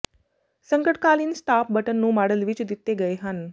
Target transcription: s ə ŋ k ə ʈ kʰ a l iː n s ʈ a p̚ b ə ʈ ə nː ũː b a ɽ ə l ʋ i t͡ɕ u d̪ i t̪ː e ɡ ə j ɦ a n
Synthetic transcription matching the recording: s ə ŋ k ə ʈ k a l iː n s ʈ a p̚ b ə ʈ ə nː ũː m a ɽ ə l ʋ i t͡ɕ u d̪ i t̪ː e ɡ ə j ɦ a n